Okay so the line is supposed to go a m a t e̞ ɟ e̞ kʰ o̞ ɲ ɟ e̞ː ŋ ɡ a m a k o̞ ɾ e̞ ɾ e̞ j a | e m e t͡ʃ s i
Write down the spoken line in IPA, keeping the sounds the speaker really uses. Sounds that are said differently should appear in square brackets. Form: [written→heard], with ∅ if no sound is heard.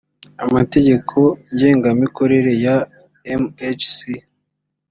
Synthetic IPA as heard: a m a t e̞ ɟ e̞ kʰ o̞ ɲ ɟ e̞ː ŋ ɡ a m [a→i] k o̞ ɾ e̞ ɾ e̞ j a | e m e t͡ʃ s i